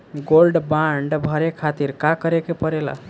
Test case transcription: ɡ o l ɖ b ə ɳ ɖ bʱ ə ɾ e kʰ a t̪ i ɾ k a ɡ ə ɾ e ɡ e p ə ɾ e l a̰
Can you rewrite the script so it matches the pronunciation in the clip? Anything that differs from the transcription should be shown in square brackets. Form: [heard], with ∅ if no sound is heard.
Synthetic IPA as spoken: ɡ o l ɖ b [a] ɳ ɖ bʱ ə ɾ e kʰ a t̪ i ɾ k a [k] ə ɾ e [k] e p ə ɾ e l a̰